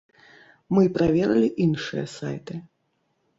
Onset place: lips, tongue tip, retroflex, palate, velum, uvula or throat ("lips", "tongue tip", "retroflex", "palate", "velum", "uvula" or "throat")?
lips